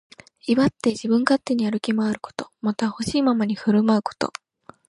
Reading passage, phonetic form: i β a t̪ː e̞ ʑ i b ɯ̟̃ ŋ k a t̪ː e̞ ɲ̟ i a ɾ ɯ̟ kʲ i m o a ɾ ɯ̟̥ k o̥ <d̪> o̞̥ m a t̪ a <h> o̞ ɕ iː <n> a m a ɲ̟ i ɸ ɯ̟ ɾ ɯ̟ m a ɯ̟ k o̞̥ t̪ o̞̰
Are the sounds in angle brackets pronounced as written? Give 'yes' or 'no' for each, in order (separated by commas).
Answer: no, yes, no